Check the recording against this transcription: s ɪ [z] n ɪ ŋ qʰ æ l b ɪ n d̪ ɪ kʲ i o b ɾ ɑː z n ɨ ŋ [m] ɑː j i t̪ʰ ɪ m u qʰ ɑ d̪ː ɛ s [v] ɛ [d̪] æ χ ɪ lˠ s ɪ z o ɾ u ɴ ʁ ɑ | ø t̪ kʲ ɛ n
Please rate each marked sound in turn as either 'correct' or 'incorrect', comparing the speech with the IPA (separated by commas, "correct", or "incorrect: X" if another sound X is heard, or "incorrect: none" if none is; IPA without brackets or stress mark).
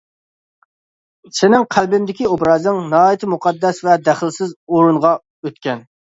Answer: incorrect: none, incorrect: n, correct, correct